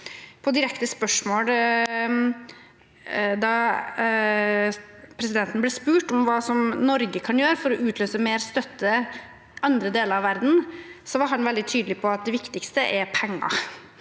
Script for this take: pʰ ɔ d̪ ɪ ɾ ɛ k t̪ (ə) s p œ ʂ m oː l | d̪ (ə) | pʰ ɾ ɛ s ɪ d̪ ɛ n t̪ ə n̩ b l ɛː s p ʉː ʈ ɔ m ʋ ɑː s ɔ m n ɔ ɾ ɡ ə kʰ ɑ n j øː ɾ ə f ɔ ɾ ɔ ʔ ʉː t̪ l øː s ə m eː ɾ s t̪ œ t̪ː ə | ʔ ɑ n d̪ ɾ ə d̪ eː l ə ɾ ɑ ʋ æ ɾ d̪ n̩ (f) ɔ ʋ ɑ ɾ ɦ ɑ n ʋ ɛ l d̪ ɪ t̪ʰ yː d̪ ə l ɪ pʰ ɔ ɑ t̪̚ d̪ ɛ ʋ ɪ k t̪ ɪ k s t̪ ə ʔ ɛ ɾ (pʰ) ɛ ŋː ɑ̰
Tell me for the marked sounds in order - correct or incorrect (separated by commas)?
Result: correct, incorrect, incorrect, correct